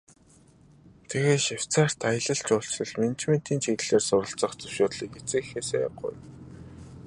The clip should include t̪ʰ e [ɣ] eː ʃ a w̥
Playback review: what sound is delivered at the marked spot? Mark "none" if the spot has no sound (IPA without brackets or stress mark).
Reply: ɣ